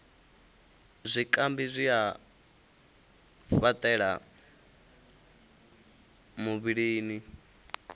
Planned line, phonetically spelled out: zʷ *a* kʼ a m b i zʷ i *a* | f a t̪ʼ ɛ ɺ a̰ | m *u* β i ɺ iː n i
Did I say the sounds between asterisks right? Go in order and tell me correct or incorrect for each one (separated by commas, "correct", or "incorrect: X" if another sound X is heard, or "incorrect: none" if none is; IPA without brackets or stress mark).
incorrect: i, correct, correct